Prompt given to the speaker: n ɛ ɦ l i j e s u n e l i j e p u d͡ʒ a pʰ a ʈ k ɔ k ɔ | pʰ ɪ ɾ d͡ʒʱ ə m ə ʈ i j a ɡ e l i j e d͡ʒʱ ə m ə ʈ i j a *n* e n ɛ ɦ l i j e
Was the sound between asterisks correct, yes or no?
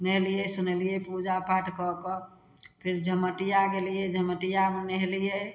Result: no